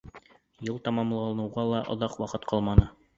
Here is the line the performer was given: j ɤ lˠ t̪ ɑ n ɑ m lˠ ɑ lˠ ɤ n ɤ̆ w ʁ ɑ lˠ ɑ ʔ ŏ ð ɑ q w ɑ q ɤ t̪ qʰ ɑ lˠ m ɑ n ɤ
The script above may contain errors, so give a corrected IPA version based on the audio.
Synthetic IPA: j ɤ lˠ t̪ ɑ m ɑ m lˠ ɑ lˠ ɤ n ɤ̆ w ʁ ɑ lˠ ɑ ʔ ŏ ð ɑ q w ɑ q ɤ t̪ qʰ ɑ lˠ m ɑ n ɤ